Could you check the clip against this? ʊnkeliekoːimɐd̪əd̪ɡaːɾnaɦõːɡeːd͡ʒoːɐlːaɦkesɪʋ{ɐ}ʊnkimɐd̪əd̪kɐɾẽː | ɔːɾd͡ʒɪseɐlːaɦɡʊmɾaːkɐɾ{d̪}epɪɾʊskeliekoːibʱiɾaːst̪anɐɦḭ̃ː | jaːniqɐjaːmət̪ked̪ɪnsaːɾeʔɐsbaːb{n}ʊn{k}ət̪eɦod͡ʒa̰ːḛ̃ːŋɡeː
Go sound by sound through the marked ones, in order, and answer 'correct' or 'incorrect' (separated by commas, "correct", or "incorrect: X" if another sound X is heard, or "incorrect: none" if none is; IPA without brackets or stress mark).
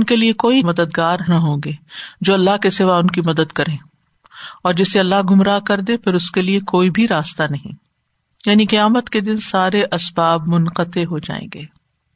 incorrect: a, correct, incorrect: m, incorrect: q